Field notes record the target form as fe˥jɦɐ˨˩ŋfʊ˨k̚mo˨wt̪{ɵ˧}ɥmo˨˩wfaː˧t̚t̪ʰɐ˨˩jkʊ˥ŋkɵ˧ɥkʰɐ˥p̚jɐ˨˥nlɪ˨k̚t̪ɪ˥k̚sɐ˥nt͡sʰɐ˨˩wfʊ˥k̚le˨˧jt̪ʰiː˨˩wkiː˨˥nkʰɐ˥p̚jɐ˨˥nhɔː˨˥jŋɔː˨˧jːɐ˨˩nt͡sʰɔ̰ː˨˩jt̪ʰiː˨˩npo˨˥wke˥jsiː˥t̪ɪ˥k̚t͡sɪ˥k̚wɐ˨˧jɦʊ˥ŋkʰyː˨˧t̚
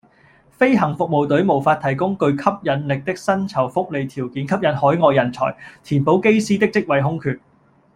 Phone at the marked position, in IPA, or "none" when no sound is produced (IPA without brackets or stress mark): ɵ˨˥